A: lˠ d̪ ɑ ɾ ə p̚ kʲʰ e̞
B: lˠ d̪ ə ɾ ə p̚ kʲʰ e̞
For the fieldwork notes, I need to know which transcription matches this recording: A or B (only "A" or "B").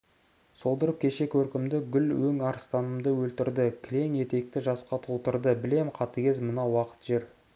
B